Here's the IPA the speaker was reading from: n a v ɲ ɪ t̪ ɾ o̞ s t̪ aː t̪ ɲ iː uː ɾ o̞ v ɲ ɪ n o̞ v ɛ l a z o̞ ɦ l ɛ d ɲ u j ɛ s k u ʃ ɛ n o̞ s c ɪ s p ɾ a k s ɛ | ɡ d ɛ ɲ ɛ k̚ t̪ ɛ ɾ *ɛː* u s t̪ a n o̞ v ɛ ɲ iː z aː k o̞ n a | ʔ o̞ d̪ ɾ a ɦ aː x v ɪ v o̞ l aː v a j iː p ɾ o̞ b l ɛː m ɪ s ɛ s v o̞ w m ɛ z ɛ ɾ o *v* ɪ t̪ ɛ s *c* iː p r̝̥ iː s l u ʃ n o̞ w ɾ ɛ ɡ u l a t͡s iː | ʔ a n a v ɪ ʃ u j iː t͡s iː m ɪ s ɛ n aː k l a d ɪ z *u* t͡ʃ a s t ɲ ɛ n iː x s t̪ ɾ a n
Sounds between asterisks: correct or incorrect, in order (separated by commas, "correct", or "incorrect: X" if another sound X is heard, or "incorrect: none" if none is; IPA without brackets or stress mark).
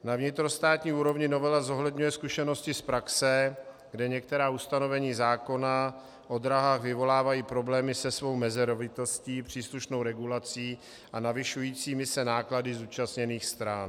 incorrect: aː, correct, correct, incorrect: uː